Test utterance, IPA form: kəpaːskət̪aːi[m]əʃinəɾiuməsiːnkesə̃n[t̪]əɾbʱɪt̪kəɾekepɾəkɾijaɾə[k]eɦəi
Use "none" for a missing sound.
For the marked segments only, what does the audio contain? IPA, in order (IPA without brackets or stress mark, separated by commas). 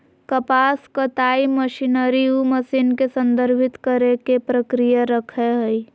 m, d̪, kʰ